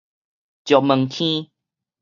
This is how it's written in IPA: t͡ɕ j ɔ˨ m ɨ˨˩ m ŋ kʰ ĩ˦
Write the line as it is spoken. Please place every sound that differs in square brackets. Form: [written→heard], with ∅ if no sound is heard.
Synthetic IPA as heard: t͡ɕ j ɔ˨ m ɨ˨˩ [m→∅] ŋ kʰ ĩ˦